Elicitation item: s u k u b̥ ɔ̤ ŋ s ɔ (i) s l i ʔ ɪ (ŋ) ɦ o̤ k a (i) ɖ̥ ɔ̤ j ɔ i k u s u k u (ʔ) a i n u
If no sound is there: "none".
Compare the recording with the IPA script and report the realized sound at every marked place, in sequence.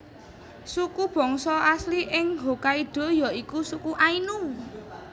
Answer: a, ŋ, i, ʔ

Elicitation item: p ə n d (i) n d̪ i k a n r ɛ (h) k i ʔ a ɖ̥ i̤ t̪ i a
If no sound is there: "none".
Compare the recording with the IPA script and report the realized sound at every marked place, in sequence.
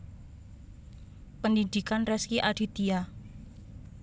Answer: i, s

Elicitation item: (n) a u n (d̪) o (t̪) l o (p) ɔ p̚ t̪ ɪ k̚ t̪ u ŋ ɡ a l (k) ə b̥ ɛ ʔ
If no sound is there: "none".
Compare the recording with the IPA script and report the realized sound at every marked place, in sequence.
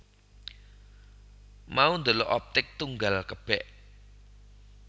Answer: m, d̪, none, ʔ, k

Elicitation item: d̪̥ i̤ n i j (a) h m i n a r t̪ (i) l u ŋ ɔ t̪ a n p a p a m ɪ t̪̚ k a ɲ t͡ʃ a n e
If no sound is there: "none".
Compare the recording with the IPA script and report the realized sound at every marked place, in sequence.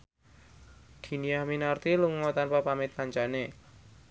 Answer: a, i

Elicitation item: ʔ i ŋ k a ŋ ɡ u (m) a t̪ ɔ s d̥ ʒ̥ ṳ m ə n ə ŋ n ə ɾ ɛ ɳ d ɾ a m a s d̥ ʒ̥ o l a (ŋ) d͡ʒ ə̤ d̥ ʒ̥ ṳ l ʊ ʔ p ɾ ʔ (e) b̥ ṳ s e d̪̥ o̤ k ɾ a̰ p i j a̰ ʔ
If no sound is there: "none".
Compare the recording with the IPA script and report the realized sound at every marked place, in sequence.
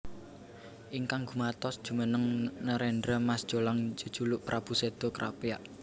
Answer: m, ŋ, a

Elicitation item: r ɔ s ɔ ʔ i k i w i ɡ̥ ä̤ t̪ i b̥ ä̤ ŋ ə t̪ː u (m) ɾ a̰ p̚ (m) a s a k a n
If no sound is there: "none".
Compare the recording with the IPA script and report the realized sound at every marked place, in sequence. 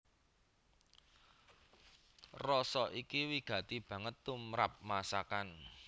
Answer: m, m

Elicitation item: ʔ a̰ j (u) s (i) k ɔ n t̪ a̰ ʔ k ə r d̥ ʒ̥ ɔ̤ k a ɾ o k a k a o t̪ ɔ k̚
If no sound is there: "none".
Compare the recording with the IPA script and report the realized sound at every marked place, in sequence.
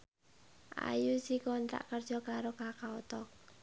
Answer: u, i

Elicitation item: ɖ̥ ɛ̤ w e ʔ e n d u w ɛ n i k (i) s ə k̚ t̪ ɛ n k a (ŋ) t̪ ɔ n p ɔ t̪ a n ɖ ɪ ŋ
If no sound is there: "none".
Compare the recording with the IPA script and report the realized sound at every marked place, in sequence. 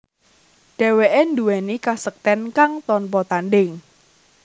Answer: a, ŋ

